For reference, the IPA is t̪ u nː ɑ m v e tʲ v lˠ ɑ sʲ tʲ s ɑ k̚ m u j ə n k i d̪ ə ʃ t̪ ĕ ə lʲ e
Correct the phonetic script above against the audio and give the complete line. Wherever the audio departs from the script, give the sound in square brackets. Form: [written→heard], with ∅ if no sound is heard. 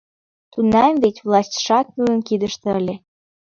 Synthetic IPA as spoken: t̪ u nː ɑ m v e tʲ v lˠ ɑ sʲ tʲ [s→ʃ] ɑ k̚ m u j ə n k i d̪ ə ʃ t̪ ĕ ə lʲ e